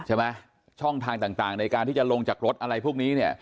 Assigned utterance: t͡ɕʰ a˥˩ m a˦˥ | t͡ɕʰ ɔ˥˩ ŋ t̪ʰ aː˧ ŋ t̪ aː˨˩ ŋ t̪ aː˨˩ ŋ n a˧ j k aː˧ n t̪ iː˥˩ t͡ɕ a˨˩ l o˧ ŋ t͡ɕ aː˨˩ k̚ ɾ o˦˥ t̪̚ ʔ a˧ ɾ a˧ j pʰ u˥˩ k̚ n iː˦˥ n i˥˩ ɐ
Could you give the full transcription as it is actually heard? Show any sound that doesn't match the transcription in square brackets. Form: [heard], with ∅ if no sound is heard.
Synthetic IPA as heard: t͡ɕʰ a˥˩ m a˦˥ | t͡ɕʰ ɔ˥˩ ŋ t̪ʰ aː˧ ŋ t̪ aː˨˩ ŋ t̪ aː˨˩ ŋ n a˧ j k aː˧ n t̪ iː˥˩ t͡ɕ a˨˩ l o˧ ŋ t͡ɕ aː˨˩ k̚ ɾ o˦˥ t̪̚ ʔ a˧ ɾ a˧ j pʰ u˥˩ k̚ n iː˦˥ n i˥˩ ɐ